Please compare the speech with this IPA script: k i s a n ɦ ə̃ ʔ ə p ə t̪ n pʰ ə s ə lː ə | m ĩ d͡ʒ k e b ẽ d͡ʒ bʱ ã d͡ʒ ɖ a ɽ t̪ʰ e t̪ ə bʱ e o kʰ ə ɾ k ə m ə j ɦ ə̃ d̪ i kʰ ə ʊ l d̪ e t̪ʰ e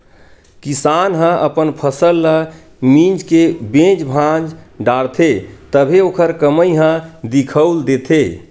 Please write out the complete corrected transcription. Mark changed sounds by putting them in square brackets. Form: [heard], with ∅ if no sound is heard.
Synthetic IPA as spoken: k i s a n ɦ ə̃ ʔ ə p ə [∅] n pʰ ə s ə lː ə | m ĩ d͡ʒ k e b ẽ d͡ʒ bʱ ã d͡ʒ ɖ a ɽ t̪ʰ e t̪ ə bʱ e o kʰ ə ɾ k ə m ə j ɦ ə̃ d̪ i kʰ ə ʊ l d̪ e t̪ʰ e